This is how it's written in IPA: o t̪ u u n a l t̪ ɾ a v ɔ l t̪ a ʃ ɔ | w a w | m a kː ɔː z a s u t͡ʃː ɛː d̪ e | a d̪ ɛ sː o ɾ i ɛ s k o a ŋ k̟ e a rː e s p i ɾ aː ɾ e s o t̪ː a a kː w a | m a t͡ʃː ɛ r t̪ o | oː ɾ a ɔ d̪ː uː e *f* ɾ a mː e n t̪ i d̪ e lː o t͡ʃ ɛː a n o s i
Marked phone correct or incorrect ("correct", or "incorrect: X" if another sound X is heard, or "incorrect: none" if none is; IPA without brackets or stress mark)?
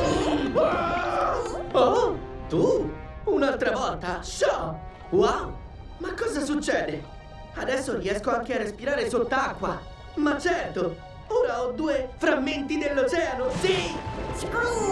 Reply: correct